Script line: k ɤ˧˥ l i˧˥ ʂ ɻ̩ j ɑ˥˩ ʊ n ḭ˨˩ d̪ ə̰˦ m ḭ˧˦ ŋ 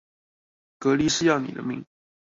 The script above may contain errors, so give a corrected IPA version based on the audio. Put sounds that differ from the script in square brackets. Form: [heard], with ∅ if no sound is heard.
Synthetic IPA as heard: k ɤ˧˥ l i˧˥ ʂ ɻ̩ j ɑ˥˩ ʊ n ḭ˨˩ d̪ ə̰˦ m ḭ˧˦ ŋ